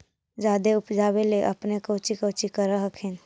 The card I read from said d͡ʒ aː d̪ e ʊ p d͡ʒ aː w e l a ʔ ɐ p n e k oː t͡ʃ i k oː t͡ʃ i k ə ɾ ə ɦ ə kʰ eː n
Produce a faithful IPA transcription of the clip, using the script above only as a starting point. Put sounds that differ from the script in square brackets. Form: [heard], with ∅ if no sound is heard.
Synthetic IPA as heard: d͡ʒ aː d̪ e ʊ p d͡ʒ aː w e l [e] ʔ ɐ p n e k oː t͡ʃ i k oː t͡ʃ i k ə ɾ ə ɦ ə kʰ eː n